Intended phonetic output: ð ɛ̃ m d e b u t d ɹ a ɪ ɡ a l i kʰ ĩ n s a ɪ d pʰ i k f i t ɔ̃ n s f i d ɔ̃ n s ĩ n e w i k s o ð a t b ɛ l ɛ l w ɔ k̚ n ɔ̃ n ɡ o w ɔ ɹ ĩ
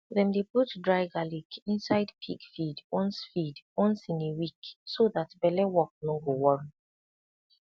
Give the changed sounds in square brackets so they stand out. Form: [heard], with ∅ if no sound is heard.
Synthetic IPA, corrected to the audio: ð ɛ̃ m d e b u t d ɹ a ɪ ɡ a l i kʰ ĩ n s a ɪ d pʰ i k f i [d] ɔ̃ n s f i d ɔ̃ n s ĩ n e w i k s o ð a t b ɛ l ɛ [∅] w ɔ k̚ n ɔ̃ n ɡ o w ɔ ɹ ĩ